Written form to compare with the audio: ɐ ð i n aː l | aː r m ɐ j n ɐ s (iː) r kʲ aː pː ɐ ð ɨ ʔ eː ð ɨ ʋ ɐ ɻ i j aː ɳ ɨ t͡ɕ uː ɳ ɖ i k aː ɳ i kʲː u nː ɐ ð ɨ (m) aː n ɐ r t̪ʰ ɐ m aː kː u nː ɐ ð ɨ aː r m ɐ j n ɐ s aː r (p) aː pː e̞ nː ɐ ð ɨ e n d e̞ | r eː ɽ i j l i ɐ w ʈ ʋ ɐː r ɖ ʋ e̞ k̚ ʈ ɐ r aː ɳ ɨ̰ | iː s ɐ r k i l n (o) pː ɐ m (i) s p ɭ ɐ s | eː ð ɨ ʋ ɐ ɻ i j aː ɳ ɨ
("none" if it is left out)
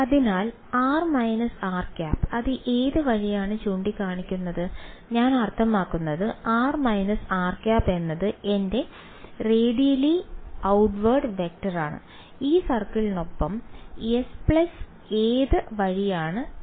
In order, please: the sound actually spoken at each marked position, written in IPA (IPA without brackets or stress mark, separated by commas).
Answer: aː, ɲ, k, o, e